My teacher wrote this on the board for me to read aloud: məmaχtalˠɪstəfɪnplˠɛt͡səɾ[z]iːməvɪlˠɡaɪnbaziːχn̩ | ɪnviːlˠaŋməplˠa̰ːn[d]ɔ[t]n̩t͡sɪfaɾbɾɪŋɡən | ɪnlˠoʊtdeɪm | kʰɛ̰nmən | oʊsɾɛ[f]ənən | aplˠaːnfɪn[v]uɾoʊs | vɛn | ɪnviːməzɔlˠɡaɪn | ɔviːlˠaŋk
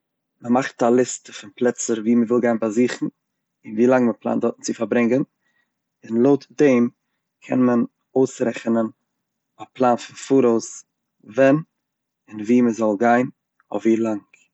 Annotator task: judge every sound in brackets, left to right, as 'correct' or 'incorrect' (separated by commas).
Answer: incorrect, correct, correct, incorrect, incorrect